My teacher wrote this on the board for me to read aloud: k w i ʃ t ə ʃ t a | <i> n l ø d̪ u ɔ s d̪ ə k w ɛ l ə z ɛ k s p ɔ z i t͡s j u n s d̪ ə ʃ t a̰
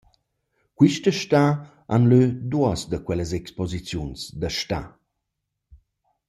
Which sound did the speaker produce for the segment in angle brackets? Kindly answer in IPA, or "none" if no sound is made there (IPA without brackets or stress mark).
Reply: a